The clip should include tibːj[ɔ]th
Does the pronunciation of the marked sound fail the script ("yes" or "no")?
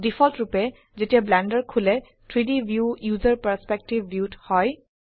yes